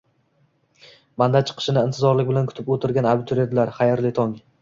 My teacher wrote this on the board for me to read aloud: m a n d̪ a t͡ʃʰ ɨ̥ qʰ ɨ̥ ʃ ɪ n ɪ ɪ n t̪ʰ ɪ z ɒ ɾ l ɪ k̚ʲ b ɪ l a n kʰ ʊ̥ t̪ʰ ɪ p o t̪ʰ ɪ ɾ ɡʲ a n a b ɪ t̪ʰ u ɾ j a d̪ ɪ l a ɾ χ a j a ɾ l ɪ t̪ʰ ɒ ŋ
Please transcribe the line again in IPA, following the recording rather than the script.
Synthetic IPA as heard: m a n d̪ a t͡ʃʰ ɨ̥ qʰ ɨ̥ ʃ ɪ n ɪ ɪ n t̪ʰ ɪ z ɒ ɾ l ɪ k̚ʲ b ɪ l a n kʰ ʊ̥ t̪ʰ ɪ p o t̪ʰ ɪ ɾ ɡʲ a n a b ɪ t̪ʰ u ɾ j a d̪ ɪ l a ɾ χ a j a ɾ l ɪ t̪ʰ ɒ ŋ